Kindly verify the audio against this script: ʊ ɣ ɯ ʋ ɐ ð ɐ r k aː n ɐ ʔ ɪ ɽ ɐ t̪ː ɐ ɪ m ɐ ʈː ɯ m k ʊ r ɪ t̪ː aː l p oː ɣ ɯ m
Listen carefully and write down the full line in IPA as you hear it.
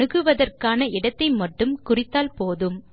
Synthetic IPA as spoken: ɯ ɣ ɯ ʋ ɐ ð ɐ r k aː n ɐ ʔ ɪ ɽ ɐ t̪ː ɐ ɪ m ɐ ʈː ɯ m k ʊ r ɪ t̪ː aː l p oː ð ɯ m

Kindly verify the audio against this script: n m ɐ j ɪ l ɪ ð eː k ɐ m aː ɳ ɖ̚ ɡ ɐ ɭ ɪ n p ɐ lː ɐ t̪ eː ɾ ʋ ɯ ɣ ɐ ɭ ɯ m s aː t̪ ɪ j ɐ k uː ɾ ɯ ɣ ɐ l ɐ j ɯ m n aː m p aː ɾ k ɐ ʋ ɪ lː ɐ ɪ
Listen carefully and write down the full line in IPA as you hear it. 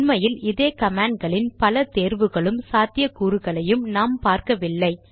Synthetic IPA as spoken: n m ɐ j ɪ l ɪ ð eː k ɐ m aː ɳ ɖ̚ ɡ ɐ ɭ ɪ n p ɐ l ɐ t̪ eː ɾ ʋ ɯ ɣ ɐ ɭ ɯ m s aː t̪ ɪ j ɐ k uː ɾ ɯ ɣ ɐ ɭ ɐ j ɯ m n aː m p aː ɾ k ɐ ʋ ɪ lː ɐ ɪ

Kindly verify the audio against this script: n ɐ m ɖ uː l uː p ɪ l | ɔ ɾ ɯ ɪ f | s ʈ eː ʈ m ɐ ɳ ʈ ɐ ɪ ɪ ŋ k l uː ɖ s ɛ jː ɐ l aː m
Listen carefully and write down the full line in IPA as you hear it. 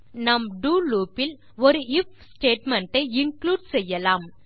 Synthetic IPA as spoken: n ɐ m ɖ uː l uː p ɪ l | ɔ ɾ ɯ ɪ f | s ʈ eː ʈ m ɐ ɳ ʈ ɐ ɪ ɪ ŋ k l uː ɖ s ɛ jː ɐ l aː m

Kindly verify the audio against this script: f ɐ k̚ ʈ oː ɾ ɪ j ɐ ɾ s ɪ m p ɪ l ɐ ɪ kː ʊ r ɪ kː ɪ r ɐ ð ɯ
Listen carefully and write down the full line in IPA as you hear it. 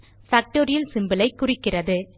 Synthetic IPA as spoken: f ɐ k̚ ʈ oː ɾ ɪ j ɐ l s ɪ m b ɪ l ɐ ɪ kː ʊ r ɪ kː ɪ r ɐ ð ɯ

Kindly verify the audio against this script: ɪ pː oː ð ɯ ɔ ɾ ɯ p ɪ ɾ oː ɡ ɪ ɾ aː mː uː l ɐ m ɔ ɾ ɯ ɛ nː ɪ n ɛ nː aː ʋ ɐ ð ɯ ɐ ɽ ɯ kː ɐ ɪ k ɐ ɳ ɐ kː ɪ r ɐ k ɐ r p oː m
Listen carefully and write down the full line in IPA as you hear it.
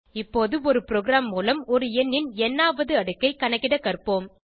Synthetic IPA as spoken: ɪ pː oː ð ɯ ɔ ɾ ɯ p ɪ ɾ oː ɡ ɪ ɾ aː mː uː l ɐ m ɔ ɾ ɯ ɛ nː ɪ n ɛ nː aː ʋ ɐ ð ɯ ɐ ɽ ɯ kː ɐ ɪ k ɐ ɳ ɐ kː ɪ ɽ ɐ k ɐ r p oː m

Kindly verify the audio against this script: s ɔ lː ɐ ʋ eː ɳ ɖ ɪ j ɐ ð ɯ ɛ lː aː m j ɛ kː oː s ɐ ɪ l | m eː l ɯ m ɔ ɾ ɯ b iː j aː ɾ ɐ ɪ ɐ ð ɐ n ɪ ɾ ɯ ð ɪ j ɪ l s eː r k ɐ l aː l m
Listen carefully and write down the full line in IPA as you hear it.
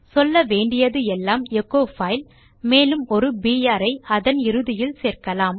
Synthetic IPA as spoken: s ɔ lː ɐ ʋ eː ɳ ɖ ɪ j ɐ ð ɯ ɛ lː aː m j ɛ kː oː f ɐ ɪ l | m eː l ɯ m ɔ ɾ ɯ b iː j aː ɾ ɐ ɪ ɐ ð ɐ n ɪ ɾ ɯ ð ɪ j ɪ l s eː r k ɐ l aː m

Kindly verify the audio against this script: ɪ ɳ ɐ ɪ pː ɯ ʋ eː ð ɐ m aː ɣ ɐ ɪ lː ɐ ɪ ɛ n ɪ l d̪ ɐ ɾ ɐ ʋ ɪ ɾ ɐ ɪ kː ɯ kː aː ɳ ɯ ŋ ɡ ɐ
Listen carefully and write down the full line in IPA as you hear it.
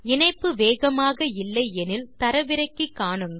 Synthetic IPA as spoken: ɪ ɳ ɐ ɪ pː ɯ ʋ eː ɣ ɐ m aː ɣ ɐ ɪ lː ɐ ɪ ɛ n ɪ l t̪ ɐ ɾ ɐ ʋ ɪ ɾ ɐ ɪ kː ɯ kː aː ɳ ɯ ŋ ɡ ɐ

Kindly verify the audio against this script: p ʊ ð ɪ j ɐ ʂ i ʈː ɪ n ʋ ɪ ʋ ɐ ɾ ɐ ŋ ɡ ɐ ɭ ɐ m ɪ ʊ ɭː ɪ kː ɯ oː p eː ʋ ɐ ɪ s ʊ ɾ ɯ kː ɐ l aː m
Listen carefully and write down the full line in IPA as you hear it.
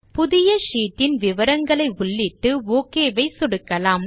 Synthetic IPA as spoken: p ʊ ð ɪ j ɐ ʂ iː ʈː ɪ n ʋ ɪ ʋ ɐ ɾ ɐ ŋ ɡ ɐ ɭ ɐ ɪ ʊ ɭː ɪ ʈː ɯ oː k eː ʋ ɐ ɪ s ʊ ɽ ɯ kː ɐ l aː m

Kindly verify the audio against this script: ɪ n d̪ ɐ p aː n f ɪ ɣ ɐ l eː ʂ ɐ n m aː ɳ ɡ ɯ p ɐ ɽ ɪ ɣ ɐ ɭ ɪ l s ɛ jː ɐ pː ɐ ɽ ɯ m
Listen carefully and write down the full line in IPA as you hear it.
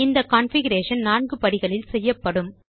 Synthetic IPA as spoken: ɪ n d̪ ɐ k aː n f ɪ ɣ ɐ ɾ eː ʂ ɐ n n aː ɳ ɡ ɯ p ɐ ɽ ɪ ɣ ɐ ɭ ɪ l s ɛ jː ɐ pː ɐ ɽ ɯ m

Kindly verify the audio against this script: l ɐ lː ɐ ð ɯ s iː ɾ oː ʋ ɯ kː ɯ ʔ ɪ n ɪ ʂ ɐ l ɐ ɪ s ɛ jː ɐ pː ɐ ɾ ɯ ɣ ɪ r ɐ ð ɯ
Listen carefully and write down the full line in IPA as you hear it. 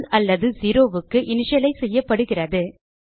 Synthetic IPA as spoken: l ɐ lː ɐ ð ɯ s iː ɾ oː ʋ ɯ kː ɯ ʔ ɪ n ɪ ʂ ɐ l ɐ ɪ s ɛ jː ɐ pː ɐ ɽ ɯ ɣ ɪ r ɐ ð ɯ

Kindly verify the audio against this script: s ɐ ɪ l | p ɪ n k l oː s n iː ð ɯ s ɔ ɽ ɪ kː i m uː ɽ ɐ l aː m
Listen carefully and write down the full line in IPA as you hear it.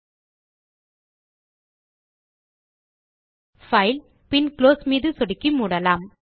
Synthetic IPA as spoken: f ɐ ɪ l | p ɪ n k l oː s m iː ð ɯ s ɔ ɽ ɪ kː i m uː ɽ ɐ l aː m

